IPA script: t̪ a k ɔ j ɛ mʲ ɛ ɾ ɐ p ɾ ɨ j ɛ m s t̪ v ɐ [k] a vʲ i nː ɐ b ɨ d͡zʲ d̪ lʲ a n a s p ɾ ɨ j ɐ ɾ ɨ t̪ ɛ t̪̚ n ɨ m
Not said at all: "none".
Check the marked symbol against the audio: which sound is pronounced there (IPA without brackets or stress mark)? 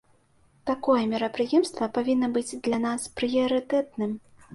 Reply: p